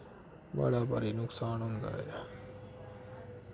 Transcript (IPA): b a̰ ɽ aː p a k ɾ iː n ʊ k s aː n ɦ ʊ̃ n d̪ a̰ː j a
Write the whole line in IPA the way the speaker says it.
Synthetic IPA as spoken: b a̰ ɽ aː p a ɾ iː n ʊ k s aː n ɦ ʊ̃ n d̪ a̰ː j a